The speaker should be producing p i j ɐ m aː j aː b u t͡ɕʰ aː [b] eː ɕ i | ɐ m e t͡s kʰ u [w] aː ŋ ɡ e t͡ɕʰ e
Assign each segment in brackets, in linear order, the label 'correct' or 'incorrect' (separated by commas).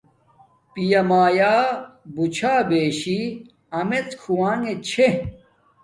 correct, correct